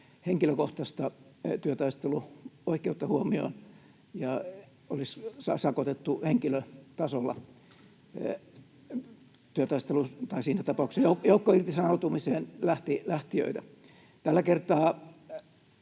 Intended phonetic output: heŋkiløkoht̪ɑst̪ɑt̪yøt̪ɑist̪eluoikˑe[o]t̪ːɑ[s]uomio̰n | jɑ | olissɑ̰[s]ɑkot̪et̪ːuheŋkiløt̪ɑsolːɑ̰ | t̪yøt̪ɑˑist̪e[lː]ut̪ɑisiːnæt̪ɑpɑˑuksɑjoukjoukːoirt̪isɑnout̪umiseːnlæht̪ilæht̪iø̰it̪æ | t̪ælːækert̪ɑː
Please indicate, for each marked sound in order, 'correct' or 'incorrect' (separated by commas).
incorrect, incorrect, correct, incorrect